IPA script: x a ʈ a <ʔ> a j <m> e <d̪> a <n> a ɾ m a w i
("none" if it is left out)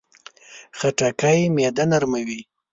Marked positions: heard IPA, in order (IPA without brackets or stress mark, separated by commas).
k, m, d̪, n